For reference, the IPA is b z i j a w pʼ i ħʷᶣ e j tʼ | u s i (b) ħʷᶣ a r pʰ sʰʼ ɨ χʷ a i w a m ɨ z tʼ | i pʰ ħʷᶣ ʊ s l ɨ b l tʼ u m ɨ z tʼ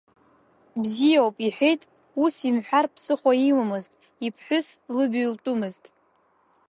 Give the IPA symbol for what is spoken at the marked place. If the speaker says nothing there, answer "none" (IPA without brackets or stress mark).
m